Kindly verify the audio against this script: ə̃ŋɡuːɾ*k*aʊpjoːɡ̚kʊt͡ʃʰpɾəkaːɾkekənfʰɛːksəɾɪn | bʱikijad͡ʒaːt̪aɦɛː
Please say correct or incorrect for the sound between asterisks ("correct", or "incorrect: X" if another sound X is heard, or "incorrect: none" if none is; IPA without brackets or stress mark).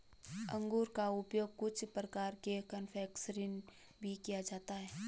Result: correct